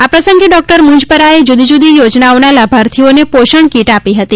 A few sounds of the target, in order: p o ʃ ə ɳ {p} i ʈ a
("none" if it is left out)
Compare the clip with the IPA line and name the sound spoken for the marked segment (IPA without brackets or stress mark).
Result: k